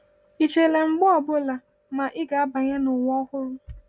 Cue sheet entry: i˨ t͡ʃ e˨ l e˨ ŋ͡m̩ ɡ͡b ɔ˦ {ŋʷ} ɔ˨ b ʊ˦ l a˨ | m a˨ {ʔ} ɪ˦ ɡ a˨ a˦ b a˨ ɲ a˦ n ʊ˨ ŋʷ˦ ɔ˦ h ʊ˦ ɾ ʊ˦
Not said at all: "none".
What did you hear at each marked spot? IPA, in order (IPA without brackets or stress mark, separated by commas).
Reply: none, ʔ